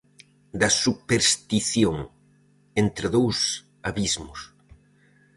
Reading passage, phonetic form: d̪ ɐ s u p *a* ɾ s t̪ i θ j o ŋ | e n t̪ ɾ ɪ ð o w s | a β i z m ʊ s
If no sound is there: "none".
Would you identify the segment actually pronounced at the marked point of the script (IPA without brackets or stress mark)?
e